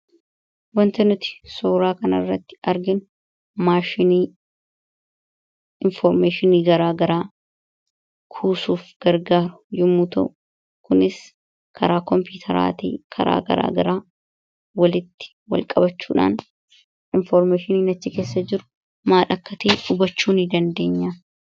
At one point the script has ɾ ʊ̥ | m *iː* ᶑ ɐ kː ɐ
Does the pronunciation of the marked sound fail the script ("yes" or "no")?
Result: yes